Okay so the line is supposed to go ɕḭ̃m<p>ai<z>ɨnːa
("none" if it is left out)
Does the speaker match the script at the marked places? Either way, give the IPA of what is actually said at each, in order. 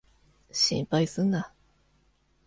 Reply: p, s

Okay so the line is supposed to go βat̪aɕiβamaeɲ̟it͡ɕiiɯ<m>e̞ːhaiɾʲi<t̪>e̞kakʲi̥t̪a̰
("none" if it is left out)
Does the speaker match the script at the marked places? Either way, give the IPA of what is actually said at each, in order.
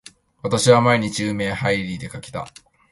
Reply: m, d̪

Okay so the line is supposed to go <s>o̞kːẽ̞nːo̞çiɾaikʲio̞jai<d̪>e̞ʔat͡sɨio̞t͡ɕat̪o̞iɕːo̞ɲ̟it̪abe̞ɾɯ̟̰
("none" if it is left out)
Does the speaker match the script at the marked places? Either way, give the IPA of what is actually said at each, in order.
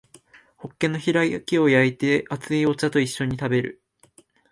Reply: h, t̪

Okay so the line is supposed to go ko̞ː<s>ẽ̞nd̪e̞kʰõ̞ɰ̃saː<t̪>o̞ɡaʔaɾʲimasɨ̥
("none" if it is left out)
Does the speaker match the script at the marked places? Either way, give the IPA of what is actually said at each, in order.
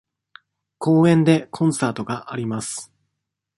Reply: none, t̪

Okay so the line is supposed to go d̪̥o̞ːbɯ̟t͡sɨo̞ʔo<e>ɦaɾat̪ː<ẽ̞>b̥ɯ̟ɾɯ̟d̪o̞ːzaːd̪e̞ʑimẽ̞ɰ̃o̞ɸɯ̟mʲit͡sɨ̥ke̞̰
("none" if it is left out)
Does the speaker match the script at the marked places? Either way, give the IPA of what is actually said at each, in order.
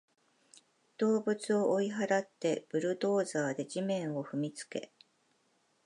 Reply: i, e̞

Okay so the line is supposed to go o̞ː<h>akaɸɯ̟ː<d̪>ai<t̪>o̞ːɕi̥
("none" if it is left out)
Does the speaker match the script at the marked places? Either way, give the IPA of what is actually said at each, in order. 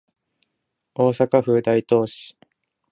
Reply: s, d̪, t̪

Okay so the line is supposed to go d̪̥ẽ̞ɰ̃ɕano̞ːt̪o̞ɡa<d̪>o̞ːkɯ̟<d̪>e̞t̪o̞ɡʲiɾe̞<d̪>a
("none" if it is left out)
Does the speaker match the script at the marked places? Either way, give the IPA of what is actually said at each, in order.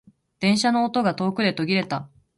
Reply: t̪, d̪, t̪

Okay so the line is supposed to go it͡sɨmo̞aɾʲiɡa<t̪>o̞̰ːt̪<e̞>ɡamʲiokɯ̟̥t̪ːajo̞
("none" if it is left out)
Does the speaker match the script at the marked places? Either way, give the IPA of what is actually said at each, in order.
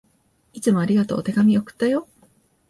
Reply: t̪, e̞

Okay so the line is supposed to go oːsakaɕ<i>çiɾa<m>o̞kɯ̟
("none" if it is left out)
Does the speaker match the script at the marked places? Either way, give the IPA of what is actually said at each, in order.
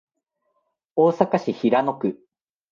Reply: i, n

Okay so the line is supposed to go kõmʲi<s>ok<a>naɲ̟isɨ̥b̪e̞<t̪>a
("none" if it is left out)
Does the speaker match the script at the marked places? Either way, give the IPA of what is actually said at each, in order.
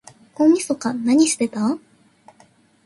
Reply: s, a, t̪

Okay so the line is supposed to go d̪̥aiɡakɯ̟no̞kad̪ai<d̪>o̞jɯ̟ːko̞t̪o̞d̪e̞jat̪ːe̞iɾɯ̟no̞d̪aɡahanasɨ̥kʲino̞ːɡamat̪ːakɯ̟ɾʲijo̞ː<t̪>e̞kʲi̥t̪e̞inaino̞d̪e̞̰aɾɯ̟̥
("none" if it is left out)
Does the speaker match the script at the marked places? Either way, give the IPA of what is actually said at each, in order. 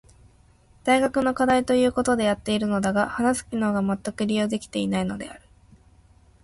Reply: t̪, d̪

